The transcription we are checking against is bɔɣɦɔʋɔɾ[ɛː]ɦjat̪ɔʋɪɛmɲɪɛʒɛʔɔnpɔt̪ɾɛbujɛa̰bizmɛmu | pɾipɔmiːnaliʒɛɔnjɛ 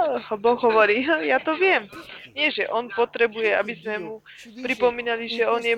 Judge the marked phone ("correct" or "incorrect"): incorrect